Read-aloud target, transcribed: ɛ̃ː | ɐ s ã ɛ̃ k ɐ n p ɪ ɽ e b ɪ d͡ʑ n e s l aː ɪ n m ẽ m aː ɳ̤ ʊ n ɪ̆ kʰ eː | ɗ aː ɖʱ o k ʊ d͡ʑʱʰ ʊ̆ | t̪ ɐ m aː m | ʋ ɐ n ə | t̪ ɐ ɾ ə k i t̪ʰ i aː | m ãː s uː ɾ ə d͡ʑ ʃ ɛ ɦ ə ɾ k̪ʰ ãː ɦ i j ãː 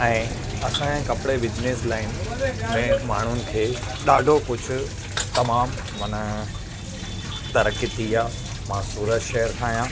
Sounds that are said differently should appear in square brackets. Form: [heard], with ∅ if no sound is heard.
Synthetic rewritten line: ɛ̃ː | ɐ s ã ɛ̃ k ɐ [∅] p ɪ ɽ e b ɪ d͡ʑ n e s l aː ɪ n m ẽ m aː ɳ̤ ʊ n ɪ̆ kʰ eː | ɗ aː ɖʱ o k ʊ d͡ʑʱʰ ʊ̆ | t̪ ɐ m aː m | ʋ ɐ n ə | t̪ ɐ ɾ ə k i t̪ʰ i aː | m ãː s uː ɾ ə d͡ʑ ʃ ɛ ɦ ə ɾ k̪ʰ [aː] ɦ i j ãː

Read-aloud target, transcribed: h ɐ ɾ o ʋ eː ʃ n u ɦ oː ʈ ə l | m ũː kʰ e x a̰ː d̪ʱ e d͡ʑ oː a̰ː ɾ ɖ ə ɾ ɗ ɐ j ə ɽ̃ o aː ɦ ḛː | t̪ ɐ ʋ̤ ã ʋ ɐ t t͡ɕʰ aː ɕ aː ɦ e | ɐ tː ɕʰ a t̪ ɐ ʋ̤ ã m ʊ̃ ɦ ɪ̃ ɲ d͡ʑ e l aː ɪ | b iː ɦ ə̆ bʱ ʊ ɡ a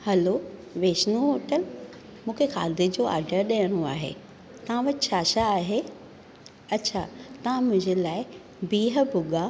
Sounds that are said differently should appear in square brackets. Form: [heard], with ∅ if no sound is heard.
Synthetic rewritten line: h ɐ [l] o ʋ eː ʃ n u ɦ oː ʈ ə l | m ũː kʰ e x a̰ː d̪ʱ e d͡ʑ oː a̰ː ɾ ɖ ə ɾ ɗ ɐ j ə ɽ̃ o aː ɦ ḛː | t̪ ɐ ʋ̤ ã ʋ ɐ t t͡ɕʰ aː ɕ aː ɦ e | ɐ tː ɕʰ a t̪ ɐ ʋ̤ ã m ʊ̃ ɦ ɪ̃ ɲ d͡ʑ e l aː ɪ | b iː ɦ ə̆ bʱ ʊ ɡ a

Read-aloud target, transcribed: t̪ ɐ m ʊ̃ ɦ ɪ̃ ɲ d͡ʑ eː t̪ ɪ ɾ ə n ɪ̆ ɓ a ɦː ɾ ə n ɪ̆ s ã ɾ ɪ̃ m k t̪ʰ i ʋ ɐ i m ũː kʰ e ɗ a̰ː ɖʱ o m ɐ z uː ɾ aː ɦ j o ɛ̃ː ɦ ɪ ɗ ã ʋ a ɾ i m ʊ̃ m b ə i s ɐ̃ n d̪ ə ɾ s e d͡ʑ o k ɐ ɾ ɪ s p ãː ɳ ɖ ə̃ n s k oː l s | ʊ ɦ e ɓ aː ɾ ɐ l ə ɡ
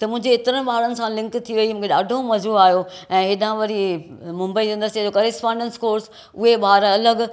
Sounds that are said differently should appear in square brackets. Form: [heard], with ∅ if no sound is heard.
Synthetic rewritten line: t̪ ɐ m ʊ̃ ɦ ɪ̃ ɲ d͡ʑ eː t̪ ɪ ɾ ə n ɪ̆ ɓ a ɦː ɾ ə n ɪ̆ s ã [l] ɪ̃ [ŋ] k t̪ʰ i ʋ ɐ i m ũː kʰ e ɗ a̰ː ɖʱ o m ɐ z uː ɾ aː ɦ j o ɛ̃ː ɦ ɪ ɗ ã ʋ [ɐ] ɾ i m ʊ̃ m b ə i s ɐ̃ n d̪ ə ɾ s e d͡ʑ o k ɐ ɾ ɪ s p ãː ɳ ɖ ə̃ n s k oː [ɾ] s | ʊ ɦ e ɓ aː ɾ ɐ l ə ɡ

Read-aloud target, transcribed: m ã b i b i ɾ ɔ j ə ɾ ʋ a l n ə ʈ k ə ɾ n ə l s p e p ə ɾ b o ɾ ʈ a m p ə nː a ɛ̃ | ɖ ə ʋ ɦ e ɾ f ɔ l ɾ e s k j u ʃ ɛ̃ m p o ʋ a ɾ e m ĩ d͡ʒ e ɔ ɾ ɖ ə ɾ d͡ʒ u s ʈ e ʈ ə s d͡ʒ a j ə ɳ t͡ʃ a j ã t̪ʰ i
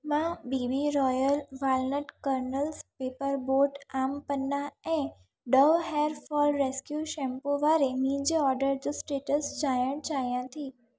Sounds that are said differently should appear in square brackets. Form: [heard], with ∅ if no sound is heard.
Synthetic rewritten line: m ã b i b i ɾ ɔ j ə [l] ʋ a l n ə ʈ k ə ɾ n ə l s p e p ə ɾ b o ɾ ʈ a m p ə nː a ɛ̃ | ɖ ə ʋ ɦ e ɾ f ɔ l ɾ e s k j u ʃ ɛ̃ m p o ʋ a ɾ e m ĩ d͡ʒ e ɔ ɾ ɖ ə ɾ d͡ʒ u s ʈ e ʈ ə s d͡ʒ a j ə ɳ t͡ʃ a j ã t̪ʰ i

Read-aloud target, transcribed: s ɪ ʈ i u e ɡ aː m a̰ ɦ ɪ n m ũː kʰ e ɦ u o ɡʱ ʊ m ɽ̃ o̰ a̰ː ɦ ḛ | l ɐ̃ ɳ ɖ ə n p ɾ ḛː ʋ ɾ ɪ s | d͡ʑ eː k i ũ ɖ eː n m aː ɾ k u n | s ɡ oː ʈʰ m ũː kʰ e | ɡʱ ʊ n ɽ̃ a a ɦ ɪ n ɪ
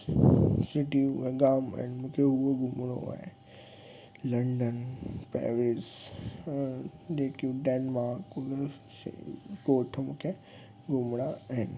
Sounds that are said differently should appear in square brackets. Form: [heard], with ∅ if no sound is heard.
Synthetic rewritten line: s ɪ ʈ i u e ɡ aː m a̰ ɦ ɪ n m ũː kʰ e ɦ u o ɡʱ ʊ m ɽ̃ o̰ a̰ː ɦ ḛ | l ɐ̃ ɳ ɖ ə n p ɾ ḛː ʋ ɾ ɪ s | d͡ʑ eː k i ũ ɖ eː n m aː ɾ k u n | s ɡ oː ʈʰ m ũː kʰ e | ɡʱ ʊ [m] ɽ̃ a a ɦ ɪ n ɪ

